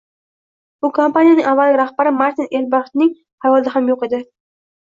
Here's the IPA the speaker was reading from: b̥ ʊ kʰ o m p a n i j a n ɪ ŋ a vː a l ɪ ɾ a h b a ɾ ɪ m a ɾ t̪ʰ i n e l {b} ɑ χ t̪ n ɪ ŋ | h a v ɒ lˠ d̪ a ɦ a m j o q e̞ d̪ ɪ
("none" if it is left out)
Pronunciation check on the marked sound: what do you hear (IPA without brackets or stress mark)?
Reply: b